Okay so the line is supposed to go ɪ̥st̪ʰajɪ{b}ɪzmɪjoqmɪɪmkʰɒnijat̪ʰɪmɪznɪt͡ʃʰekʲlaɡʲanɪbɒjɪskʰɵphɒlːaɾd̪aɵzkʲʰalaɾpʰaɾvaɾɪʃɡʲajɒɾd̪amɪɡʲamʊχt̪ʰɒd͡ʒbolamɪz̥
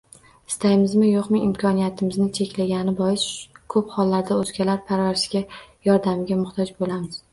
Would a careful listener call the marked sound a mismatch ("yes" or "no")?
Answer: yes